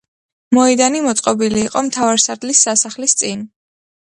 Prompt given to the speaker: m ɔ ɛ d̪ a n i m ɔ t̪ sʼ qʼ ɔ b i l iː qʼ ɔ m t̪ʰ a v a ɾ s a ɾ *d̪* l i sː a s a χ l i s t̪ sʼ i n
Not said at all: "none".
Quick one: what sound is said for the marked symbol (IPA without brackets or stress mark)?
d̪